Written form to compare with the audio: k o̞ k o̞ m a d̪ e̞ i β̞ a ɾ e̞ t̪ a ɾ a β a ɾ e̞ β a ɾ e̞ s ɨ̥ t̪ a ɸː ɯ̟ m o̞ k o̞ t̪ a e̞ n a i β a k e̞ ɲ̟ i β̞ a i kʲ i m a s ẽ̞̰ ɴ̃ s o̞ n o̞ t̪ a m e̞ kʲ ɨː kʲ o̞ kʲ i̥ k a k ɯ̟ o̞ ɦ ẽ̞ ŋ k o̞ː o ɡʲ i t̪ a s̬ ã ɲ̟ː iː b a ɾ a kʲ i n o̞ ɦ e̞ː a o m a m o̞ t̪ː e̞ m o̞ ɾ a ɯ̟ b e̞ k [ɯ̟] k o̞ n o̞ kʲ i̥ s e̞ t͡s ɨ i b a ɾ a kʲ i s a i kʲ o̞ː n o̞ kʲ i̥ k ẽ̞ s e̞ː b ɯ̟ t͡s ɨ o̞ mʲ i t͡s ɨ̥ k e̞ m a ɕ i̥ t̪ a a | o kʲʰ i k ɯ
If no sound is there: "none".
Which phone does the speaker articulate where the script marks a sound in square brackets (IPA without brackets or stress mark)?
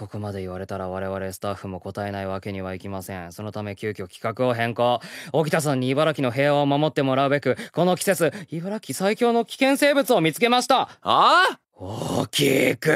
ɯ̟